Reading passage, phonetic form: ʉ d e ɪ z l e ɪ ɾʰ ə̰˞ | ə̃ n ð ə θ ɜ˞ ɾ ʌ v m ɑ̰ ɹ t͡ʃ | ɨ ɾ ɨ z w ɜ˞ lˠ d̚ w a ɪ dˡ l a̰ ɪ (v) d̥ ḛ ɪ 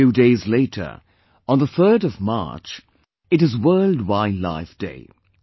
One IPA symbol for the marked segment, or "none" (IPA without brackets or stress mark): f